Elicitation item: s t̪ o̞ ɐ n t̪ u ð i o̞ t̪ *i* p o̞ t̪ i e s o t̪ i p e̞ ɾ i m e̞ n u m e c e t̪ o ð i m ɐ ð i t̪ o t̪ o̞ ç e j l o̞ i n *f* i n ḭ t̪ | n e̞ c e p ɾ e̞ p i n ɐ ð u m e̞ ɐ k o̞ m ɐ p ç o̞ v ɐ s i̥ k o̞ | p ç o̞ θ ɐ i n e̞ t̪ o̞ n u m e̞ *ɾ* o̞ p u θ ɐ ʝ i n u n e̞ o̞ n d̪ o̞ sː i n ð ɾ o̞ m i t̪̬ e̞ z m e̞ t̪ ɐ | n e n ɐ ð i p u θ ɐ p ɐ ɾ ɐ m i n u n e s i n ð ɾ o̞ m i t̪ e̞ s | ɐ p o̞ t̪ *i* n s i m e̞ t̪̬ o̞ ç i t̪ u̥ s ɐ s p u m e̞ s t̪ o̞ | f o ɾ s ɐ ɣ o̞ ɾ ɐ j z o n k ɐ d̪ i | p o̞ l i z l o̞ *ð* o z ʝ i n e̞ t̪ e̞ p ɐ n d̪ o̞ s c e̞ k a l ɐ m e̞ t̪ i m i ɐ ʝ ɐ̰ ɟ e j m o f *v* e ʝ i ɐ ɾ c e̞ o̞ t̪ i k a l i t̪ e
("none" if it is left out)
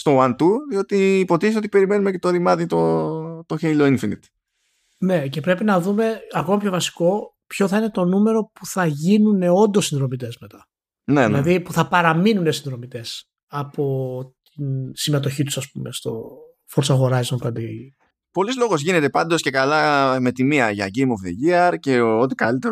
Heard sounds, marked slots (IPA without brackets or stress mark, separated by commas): iː, f, ɾ, i, ɣ, ð